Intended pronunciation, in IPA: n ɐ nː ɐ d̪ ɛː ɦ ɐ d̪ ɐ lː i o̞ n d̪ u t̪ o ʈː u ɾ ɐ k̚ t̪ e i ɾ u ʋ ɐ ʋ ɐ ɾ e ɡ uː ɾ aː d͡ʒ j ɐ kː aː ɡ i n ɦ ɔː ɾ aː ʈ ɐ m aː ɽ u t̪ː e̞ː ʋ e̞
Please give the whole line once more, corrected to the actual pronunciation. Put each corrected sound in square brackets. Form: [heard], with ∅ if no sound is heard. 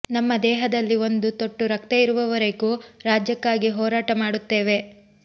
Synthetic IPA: n ɐ [mː] ɐ d̪ ɛː ɦ ɐ d̪ ɐ lː i o̞ n d̪ u t̪ o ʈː u ɾ ɐ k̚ t̪ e i ɾ u ʋ ɐ ʋ ɐ ɾ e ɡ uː ɾ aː d͡ʒ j ɐ kː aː ɡ i [∅] ɦ ɔː ɾ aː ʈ ɐ m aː ɽ u t̪ː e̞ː ʋ e̞

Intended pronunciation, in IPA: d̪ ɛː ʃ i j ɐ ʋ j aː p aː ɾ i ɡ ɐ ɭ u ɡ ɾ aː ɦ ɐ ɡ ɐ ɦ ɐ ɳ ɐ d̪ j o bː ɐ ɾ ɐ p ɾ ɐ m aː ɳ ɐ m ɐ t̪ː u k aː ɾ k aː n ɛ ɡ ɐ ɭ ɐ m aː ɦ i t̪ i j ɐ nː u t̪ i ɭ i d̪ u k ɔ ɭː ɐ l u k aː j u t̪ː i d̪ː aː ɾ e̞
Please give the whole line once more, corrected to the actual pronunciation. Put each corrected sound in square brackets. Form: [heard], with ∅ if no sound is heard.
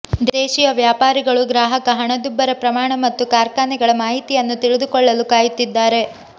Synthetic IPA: d̪ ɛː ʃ i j ɐ ʋ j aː p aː ɾ i ɡ ɐ ɭ u ɡ ɾ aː ɦ ɐ [k] ɐ ɦ ɐ ɳ ɐ d̪ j [u] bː ɐ ɾ ɐ p ɾ ɐ m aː ɳ ɐ m ɐ t̪ː u k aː ɾ k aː n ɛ ɡ ɐ ɭ ɐ m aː ɦ i t̪ i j ɐ nː u t̪ i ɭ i d̪ u k ɔ ɭː ɐ l u k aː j u t̪ː i d̪ː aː ɾ e̞

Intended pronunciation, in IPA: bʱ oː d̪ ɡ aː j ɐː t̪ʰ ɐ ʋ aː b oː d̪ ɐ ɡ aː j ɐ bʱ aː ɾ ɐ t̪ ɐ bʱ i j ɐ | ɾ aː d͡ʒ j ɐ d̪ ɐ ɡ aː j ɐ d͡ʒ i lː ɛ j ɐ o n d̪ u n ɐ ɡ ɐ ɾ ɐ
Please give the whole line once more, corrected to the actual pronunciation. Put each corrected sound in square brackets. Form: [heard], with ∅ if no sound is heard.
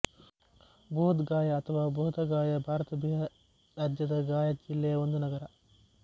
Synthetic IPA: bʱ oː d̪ ɡ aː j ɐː t̪ʰ ɐ ʋ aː b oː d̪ ɐ ɡ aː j ɐ bʱ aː ɾ ɐ t̪ ɐ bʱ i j ɐ | ɾ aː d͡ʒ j ɐ d̪ ɐ ɡ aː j ɐ d͡ʒ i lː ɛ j ɐ o n d̪ u n ɐ ɡ ɐ ɾ ɐ

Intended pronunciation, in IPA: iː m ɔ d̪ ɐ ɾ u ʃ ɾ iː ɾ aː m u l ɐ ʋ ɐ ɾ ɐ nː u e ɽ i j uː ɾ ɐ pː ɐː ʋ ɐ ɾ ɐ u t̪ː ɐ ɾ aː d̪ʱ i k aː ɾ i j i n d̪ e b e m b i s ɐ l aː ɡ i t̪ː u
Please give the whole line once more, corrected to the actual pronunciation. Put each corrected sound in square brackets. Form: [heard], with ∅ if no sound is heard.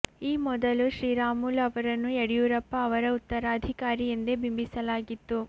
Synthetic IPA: iː m ɔ d̪ ɐ [l] u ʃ ɾ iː ɾ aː m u l ɐ ʋ ɐ ɾ ɐ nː u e ɽ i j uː ɾ ɐ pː ɐː ʋ ɐ ɾ ɐ u t̪ː ɐ ɾ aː d̪ʱ i k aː ɾ i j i n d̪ e b [i] m b i s ɐ l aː ɡ i t̪ː u

